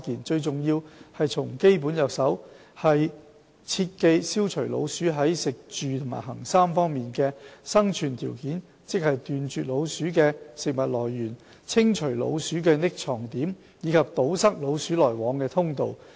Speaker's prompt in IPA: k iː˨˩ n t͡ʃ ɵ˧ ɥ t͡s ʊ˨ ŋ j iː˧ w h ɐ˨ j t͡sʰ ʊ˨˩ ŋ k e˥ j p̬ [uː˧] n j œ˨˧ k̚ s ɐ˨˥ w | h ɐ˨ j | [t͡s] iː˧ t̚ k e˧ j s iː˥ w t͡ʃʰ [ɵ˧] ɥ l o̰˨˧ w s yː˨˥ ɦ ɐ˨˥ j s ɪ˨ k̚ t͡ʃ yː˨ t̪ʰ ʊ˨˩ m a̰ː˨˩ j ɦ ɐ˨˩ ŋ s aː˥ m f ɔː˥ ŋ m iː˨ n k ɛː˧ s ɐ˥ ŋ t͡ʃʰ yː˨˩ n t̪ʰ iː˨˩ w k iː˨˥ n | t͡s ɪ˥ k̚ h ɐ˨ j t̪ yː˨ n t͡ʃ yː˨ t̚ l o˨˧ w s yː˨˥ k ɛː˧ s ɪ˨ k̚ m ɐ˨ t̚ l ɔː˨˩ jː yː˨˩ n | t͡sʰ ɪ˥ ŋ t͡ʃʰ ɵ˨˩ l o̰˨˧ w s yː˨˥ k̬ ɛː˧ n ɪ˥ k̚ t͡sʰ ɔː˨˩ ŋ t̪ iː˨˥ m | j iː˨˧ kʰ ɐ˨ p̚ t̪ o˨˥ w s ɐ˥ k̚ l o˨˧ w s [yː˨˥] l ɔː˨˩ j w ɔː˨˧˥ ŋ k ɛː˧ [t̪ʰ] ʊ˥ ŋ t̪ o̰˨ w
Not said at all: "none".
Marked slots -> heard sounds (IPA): uː˨˥, t͡sʰ, ɵ˨˩, yː˨˥, t̪ʰ

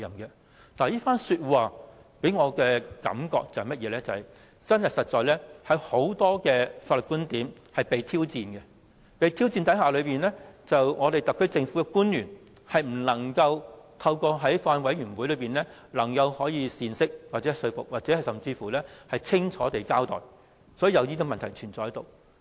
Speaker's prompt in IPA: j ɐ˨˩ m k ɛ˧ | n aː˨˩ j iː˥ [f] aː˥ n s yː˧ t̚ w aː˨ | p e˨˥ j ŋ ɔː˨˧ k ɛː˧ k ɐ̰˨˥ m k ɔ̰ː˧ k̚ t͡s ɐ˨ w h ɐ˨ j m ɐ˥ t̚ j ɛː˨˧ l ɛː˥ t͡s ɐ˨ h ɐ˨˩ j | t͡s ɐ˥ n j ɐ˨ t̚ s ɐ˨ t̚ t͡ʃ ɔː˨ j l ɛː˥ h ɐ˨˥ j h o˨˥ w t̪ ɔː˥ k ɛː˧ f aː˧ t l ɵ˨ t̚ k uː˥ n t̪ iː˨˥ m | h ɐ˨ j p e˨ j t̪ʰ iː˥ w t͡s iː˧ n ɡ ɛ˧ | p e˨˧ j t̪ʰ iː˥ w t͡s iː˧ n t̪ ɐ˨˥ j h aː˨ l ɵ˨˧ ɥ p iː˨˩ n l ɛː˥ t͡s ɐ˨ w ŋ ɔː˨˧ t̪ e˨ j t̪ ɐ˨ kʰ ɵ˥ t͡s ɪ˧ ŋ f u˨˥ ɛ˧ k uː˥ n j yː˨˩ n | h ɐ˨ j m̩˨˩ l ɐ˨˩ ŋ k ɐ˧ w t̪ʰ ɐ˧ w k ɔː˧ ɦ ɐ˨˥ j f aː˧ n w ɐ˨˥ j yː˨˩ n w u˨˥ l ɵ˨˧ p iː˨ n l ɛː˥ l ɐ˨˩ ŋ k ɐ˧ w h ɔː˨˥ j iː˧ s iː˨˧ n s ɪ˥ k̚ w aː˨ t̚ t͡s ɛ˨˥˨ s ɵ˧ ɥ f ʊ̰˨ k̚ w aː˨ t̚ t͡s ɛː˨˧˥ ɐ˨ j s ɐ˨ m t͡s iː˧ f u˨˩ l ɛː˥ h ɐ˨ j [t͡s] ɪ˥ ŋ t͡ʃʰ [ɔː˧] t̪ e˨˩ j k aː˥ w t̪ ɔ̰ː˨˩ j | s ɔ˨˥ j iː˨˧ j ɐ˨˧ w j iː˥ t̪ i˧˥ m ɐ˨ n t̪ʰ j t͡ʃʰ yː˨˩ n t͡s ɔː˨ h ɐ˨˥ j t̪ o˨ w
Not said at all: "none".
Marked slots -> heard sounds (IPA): f, t͡sʰ, ɔː˨˥

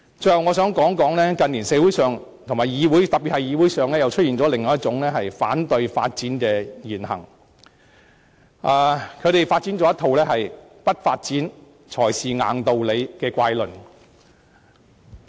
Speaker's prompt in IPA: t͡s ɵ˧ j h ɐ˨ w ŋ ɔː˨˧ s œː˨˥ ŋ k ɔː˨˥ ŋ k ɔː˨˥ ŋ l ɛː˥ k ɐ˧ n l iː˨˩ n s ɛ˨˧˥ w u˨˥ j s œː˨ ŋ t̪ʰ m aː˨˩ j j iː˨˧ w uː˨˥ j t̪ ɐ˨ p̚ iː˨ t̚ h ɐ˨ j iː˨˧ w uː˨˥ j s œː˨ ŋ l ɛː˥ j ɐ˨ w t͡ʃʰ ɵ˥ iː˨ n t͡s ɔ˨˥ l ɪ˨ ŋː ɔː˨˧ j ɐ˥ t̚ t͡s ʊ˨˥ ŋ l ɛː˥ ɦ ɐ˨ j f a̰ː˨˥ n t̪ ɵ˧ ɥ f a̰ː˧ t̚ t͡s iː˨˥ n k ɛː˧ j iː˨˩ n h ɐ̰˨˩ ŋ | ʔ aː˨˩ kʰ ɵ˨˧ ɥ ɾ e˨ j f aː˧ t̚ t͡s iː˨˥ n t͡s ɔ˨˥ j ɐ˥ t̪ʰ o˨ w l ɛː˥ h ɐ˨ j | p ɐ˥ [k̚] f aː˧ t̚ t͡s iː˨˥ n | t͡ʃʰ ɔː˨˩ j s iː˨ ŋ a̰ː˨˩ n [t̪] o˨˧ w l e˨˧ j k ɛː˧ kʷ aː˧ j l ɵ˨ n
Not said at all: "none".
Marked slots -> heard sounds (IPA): t̚, t̪

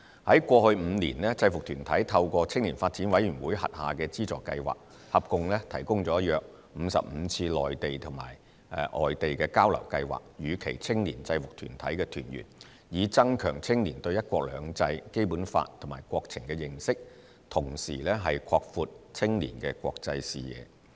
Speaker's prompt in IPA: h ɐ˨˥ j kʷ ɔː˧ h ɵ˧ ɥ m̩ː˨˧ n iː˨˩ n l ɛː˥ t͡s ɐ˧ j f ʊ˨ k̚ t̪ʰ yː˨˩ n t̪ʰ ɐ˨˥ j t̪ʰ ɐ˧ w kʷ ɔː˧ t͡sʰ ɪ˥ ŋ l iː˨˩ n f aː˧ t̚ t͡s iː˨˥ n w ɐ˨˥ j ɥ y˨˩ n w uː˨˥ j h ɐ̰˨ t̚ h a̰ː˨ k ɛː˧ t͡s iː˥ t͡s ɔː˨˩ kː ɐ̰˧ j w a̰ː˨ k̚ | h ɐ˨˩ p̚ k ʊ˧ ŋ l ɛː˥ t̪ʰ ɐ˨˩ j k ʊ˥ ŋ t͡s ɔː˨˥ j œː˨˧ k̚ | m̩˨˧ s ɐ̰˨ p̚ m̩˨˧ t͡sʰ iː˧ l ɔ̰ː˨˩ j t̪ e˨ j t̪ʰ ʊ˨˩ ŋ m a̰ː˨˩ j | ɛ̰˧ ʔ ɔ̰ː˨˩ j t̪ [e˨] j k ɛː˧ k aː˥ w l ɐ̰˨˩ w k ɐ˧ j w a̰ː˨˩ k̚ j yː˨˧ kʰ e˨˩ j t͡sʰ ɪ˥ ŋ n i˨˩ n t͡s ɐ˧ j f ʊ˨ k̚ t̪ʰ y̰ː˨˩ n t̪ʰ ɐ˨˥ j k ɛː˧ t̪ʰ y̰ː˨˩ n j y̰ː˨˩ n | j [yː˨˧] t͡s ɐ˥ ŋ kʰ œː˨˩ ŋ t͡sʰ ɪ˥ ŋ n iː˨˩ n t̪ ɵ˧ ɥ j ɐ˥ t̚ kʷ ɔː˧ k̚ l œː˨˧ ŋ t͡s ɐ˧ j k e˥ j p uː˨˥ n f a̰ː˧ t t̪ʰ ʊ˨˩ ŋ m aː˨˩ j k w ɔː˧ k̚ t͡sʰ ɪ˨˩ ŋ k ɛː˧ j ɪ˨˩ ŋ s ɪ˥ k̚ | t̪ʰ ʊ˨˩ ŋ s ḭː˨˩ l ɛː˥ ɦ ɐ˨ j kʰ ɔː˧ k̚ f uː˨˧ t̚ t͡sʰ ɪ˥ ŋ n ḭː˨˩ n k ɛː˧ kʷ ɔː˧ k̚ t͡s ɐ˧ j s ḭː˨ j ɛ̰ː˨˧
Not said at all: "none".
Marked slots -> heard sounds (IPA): e˨, iː˨˧

